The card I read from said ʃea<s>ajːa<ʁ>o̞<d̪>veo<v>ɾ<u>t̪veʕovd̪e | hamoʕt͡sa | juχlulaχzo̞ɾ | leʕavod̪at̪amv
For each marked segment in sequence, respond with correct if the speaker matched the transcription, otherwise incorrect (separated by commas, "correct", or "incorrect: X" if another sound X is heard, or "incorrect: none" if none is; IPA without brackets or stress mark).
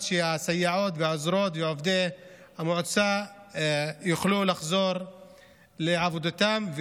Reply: correct, incorrect: ʕ, incorrect: t̪, incorrect: z, incorrect: o